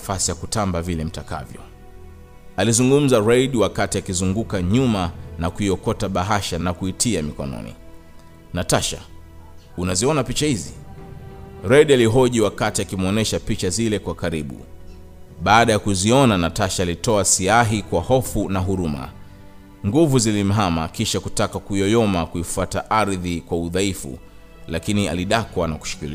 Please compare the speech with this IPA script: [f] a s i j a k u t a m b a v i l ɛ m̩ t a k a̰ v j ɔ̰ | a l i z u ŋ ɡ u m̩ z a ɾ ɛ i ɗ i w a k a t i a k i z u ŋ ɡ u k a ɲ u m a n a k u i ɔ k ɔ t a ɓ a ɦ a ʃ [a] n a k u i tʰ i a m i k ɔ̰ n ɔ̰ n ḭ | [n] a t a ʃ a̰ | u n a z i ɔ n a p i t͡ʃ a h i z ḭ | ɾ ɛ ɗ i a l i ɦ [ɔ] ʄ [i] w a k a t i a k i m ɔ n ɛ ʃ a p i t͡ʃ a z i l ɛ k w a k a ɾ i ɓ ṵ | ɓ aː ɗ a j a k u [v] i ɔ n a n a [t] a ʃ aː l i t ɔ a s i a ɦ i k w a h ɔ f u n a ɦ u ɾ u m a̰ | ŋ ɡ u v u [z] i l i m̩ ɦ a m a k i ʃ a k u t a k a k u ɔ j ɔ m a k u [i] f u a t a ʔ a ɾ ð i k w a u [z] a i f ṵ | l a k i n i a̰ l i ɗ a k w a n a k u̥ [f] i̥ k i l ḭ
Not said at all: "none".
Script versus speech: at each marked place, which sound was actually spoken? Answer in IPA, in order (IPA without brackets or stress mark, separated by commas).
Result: f, a, n, ɔ, i, z, t, z, i, ð, ʃ